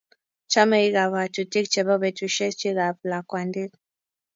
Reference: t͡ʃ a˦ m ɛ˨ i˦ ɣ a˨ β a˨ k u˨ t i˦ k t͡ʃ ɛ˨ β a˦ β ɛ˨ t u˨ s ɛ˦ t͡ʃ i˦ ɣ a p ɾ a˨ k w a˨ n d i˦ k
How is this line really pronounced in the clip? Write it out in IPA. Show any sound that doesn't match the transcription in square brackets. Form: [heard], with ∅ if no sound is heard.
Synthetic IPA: t͡ʃ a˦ m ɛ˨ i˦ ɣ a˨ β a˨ [t] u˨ t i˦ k t͡ʃ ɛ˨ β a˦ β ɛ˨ t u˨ [ʃ] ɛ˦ t͡ʃ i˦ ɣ a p [l] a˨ k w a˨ n d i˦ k